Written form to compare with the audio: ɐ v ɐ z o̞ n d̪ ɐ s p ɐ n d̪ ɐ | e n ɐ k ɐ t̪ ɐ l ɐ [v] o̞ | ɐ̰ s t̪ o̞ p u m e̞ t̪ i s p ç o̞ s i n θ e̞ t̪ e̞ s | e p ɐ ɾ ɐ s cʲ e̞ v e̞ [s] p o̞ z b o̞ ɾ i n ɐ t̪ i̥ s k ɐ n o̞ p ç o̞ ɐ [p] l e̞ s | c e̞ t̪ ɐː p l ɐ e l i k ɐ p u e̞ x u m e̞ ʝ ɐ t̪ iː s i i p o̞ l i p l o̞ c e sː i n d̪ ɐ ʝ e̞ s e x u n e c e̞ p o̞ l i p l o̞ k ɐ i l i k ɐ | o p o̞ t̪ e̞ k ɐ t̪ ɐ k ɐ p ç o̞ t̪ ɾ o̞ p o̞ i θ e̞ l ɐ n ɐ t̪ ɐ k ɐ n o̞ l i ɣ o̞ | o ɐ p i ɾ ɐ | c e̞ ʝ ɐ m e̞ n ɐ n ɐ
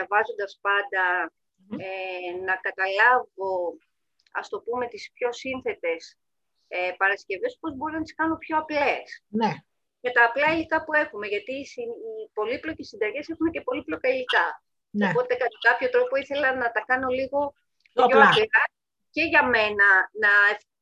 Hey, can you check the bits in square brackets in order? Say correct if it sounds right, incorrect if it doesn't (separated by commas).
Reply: correct, correct, correct